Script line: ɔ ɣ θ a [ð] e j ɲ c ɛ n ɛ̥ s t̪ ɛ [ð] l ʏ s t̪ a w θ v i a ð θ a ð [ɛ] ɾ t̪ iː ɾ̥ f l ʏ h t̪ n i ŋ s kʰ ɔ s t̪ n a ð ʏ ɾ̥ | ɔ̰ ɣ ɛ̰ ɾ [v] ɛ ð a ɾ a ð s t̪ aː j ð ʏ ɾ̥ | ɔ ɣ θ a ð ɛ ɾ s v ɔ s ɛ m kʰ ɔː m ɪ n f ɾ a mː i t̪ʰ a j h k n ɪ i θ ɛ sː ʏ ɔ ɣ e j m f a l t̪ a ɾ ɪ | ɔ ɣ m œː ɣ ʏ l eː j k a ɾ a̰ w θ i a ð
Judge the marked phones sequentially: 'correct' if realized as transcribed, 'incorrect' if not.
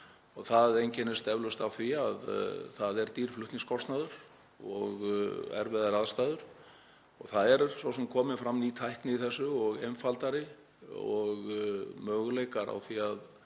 correct, incorrect, correct, correct

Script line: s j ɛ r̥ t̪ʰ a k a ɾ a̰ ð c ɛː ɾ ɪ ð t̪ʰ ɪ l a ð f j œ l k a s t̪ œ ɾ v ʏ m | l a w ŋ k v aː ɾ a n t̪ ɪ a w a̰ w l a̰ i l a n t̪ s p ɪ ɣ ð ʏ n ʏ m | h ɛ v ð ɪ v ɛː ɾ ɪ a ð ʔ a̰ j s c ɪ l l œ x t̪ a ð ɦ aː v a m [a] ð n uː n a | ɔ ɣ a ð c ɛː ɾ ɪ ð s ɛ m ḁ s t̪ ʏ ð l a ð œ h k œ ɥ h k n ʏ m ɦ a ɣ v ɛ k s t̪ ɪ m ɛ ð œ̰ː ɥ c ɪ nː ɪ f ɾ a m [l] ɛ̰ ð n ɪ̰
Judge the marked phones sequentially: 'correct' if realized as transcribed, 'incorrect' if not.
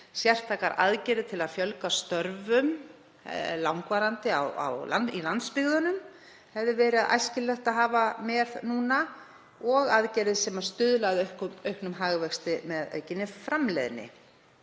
incorrect, correct

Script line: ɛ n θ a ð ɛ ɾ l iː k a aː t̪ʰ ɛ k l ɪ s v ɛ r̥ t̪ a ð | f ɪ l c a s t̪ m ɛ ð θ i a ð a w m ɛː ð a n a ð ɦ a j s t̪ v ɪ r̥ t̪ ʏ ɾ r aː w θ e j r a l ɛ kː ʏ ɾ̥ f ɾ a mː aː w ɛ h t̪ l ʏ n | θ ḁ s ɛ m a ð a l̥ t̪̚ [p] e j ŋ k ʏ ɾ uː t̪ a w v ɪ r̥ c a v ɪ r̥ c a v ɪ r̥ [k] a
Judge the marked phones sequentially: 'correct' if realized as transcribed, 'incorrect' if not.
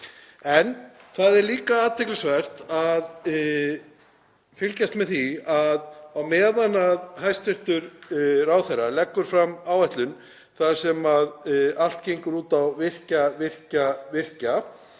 incorrect, incorrect

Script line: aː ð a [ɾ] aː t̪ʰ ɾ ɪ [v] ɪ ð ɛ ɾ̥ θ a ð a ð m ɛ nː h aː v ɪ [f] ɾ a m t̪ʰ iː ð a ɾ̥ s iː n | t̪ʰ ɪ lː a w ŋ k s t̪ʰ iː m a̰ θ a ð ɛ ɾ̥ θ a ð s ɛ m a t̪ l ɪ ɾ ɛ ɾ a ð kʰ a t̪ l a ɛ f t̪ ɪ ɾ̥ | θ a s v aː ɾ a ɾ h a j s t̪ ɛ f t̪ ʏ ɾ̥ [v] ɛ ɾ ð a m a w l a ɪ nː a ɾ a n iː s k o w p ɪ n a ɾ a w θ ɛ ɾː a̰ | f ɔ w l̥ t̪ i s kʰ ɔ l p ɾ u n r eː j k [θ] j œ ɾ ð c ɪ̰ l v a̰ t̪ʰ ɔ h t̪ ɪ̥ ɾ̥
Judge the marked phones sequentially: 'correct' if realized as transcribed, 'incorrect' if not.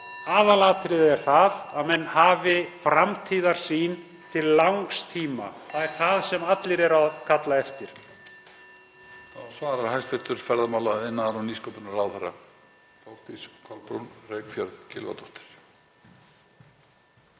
incorrect, incorrect, correct, incorrect, incorrect

